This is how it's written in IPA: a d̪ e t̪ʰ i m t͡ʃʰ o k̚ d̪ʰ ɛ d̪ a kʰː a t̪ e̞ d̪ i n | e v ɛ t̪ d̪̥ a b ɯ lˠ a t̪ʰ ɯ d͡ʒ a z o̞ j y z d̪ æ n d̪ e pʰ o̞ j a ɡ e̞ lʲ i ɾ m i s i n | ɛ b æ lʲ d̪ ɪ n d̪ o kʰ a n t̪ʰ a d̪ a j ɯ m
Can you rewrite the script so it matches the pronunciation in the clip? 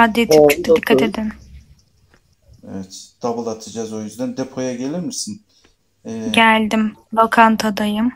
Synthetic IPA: a d̪ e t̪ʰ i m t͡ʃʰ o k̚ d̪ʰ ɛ d̪ i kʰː a t̪ e̞ d̪ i n | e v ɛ t̪ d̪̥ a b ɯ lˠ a t̪ʰ ɯ d͡ʒ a z o̞ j y z d̪ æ n d̪ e pʰ o̞ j a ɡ e̞ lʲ i ɾ m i s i n | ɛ ɟ æ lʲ d̪ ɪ m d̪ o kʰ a n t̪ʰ a d̪ a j ɯ m